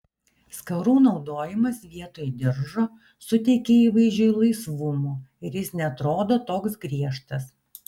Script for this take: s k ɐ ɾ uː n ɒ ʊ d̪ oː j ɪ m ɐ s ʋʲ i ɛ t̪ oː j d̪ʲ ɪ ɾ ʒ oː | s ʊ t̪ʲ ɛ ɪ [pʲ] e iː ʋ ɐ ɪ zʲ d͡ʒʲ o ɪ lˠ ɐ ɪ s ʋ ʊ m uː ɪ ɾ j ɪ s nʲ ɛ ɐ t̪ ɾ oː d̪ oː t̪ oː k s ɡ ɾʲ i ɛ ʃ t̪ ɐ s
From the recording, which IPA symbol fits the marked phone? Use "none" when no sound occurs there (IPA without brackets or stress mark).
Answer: kʲ